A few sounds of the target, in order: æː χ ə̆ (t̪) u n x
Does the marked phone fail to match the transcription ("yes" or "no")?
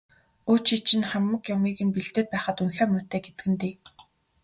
no